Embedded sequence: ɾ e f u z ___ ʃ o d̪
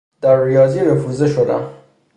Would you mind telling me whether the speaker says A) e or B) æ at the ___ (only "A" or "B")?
A